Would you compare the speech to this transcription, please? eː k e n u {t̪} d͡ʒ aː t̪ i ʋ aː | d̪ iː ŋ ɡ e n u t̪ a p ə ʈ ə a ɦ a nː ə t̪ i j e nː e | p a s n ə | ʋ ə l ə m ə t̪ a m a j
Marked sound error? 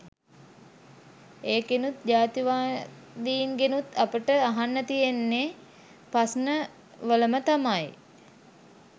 no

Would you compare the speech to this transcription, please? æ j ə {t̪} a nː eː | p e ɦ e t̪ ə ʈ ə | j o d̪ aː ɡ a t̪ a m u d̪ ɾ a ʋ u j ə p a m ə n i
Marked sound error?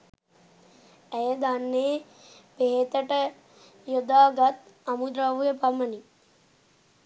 yes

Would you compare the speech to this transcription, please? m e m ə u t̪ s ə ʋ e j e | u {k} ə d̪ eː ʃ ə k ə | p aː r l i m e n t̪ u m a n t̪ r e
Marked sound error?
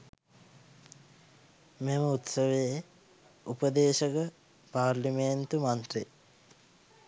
yes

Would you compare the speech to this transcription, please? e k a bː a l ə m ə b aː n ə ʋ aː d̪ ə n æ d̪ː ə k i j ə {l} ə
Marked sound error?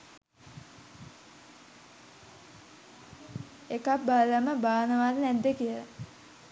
no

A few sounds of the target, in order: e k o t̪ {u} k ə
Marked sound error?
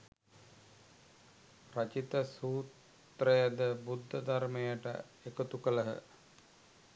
no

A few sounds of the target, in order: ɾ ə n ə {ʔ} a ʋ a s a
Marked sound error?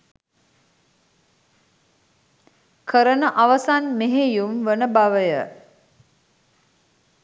no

